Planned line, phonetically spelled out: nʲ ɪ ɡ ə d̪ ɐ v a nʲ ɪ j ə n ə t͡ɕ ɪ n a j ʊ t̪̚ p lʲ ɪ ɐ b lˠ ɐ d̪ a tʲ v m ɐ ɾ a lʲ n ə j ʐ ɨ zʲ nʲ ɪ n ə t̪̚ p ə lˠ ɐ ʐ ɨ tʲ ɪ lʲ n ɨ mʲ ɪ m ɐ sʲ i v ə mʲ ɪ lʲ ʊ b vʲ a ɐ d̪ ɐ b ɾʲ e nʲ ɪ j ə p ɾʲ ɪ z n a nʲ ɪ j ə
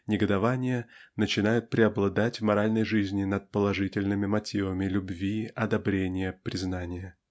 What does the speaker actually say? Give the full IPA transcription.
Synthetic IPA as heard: nʲ ɪ ɡ ə d̪ ɐ v a nʲ ɪ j ə n ə t͡ɕ ɪ n a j ʊ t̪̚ p ɾʲ ɪ ɐ b lˠ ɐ d̪ a tʲ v m ɐ ɾ a lʲ n ə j ʐ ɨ zʲ nʲ ɪ n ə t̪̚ p ə lˠ ɐ ʐ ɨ tʲ ɪ lʲ n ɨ mʲ ɪ m ɐ tʲ i v ə mʲ ɪ lʲ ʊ b vʲ i ɐ d̪ ɐ b ɾʲ e nʲ ɪ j ə p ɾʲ ɪ z n a nʲ ɪ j ə